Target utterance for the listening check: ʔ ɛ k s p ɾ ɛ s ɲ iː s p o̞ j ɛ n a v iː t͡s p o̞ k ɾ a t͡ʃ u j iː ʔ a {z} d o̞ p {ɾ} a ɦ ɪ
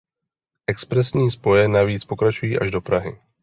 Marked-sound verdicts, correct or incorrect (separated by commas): incorrect, correct